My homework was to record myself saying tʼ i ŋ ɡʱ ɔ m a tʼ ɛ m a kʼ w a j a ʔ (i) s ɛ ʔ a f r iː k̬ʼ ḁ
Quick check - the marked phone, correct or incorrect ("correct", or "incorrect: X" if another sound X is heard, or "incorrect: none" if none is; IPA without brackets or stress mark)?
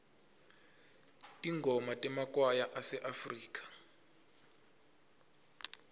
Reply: incorrect: a